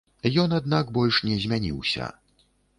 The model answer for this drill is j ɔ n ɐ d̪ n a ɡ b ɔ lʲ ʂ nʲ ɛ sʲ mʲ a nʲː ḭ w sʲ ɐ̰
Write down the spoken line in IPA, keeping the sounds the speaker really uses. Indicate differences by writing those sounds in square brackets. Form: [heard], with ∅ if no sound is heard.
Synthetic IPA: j ɔ n [a] d̪ n a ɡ b ɔ lʲ ʂ nʲ ɛ [zʲ] mʲ a [nʲ] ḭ w sʲ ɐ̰